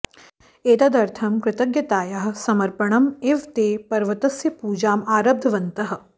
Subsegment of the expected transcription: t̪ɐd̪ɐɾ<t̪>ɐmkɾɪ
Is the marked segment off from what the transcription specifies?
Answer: yes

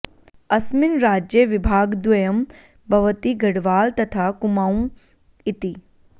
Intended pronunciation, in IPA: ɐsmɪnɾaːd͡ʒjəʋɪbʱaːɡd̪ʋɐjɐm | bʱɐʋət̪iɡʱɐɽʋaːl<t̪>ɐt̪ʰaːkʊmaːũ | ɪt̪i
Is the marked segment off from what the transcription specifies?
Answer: no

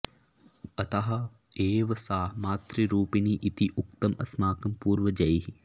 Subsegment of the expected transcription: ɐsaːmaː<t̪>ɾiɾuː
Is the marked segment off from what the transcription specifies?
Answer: no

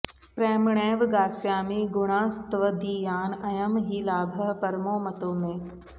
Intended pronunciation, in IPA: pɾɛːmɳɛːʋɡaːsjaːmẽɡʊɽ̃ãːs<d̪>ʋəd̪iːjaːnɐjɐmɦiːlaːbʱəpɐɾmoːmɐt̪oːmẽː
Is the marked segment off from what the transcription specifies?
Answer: yes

